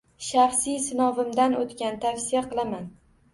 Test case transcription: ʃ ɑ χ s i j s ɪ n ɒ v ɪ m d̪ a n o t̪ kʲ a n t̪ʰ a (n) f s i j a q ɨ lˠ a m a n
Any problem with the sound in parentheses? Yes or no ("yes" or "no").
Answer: yes